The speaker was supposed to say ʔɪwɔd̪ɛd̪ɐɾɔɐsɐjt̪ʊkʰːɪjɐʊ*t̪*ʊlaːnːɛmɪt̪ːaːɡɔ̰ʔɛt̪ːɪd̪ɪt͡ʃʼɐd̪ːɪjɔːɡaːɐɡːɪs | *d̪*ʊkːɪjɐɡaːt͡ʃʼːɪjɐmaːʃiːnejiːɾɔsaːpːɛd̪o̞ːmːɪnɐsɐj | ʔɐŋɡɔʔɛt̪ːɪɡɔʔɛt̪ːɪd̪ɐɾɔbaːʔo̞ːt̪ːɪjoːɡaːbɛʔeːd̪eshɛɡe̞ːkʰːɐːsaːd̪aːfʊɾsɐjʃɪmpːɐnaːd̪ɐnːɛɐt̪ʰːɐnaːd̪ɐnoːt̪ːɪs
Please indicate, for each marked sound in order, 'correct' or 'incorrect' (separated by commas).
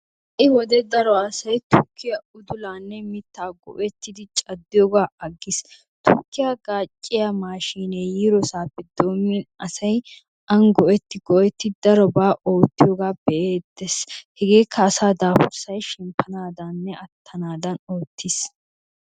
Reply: incorrect, incorrect